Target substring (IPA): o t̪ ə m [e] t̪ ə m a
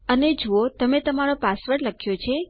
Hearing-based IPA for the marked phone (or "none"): e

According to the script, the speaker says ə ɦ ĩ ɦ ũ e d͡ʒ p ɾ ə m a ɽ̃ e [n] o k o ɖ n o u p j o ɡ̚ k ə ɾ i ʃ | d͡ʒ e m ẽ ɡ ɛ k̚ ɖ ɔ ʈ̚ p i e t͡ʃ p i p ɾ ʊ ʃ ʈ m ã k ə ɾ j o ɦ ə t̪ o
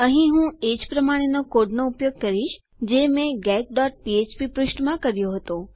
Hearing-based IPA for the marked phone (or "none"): n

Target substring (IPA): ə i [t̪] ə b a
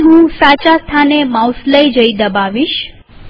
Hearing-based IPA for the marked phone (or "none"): d̪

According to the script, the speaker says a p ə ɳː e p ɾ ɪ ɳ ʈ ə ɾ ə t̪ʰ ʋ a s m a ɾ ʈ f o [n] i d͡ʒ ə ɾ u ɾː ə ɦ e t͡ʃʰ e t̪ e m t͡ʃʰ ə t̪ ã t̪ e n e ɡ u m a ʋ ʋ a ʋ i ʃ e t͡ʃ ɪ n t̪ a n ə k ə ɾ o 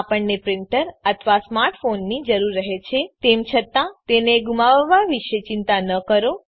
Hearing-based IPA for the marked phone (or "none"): nː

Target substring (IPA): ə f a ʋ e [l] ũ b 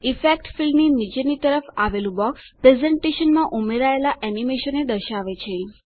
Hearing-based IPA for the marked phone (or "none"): l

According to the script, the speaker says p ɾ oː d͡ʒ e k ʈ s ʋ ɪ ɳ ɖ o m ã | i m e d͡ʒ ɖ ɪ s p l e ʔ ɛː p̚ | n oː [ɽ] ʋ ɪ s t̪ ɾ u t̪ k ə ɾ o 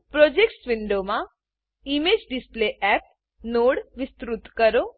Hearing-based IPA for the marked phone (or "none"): ɽ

